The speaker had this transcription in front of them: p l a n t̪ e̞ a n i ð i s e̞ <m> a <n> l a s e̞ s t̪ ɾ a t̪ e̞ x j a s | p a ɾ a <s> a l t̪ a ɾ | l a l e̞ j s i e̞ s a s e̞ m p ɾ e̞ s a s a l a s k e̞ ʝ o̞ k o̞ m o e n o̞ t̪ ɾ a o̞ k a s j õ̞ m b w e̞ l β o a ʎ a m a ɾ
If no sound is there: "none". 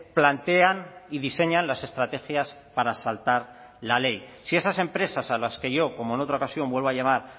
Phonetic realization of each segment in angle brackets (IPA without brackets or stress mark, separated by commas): ɲ, n, s